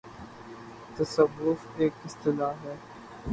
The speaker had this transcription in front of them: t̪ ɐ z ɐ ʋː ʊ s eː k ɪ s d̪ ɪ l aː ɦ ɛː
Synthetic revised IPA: t̪ ɐ s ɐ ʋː ʊ f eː k ɪ s t̪ ɪ l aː ɦ ɛː